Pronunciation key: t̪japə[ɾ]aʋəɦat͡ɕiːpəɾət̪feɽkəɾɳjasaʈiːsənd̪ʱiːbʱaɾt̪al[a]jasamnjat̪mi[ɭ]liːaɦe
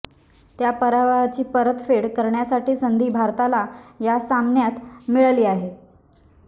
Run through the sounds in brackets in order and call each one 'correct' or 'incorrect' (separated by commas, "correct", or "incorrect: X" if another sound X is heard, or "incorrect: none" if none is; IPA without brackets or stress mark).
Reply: correct, correct, correct